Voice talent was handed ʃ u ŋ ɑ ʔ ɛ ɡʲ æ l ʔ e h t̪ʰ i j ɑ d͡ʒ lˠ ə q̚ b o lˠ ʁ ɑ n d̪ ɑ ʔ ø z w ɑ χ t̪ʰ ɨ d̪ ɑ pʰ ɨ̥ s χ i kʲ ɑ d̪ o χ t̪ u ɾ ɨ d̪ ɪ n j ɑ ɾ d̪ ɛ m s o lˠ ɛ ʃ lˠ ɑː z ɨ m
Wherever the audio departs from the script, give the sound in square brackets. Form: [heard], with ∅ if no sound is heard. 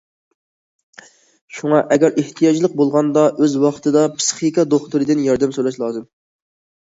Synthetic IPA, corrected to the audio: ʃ u ŋ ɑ ʔ ɛ ɡʲ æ [ɾ] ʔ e h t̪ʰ i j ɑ d͡ʒ lˠ ə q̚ b o lˠ ʁ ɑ n d̪ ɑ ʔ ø z w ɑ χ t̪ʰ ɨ d̪ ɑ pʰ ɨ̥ s χ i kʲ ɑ d̪ o χ t̪ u ɾ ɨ d̪ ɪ n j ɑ ɾ d̪ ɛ m s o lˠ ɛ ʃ lˠ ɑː z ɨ m